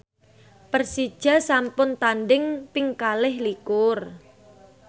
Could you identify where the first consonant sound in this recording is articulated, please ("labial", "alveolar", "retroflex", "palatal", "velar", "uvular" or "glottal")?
labial